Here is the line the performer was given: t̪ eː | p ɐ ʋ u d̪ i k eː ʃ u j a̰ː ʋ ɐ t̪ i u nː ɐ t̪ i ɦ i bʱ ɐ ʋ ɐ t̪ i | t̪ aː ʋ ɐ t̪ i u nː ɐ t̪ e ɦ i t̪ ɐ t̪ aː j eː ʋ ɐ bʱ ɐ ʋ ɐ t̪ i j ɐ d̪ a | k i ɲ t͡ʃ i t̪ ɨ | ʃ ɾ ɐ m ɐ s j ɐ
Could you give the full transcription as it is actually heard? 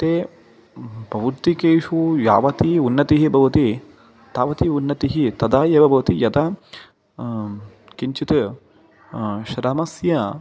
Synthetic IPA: t̪ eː | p ɐ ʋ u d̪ i k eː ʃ u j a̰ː ʋ ɐ t̪ i u nː ɐ t̪ i ɦ i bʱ ɐ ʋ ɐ t̪ i | t̪ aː ʋ ɐ t̪ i u nː ɐ t̪ i ɦ i t̪ ɐ d̪ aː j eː ʋ ɐ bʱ ɐ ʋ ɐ t̪ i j ɐ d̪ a | k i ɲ t͡ʃ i t̪ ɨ | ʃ ɾ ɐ m ɐ s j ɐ